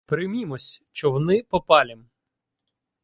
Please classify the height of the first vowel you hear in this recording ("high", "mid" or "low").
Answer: high